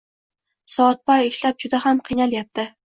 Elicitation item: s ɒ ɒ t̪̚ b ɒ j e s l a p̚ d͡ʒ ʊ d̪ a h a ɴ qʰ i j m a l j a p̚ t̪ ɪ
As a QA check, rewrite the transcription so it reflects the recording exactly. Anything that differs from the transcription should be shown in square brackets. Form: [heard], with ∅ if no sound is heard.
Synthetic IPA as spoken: s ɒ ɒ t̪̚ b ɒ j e [ʃ] l a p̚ d͡ʒ ʊ d̪ a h a [m] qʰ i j [n] a l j a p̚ t̪ ɪ